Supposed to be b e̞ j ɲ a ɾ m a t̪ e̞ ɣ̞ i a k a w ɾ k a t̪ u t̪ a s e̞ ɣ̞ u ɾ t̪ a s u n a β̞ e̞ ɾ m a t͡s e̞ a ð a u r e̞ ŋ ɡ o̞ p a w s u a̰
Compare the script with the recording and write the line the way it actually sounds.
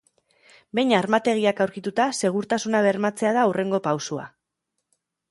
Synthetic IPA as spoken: b e̞ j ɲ a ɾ m a t̪ e̞ ɣ̞ i a k a w ɾ k i t̪ u t̪ a s e̞ ɣ̞ u ɾ t̪ a s u n a β̞ e̞ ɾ m a t͡s e̞ a ð a u r e̞ ŋ ɡ o̞ p a w s u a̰